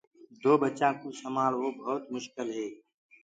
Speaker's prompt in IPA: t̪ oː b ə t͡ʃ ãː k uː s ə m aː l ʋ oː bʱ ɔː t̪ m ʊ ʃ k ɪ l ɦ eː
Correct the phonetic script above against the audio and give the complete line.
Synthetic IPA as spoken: d̪ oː b ə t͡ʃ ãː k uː s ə m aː l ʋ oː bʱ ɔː t̪ m ʊ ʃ k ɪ l ɦ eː